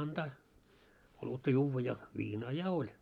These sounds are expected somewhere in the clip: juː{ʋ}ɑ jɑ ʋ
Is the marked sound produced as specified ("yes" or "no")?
no